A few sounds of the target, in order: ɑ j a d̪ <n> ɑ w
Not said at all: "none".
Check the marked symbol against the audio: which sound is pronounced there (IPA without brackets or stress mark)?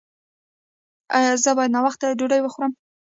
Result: n